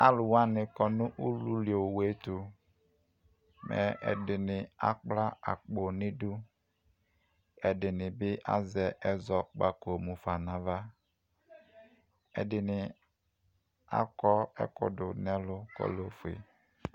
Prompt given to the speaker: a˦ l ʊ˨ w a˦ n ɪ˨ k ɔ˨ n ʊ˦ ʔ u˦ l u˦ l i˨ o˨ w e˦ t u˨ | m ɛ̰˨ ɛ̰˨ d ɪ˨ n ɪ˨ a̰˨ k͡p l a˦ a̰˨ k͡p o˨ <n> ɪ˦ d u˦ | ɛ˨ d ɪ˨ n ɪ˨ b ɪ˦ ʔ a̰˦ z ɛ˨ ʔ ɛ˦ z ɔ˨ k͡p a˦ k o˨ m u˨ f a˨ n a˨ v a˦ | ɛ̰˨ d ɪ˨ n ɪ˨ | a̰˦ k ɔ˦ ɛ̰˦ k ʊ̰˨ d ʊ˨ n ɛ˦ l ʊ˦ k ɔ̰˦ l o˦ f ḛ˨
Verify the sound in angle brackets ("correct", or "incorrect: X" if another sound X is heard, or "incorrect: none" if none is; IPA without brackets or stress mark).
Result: correct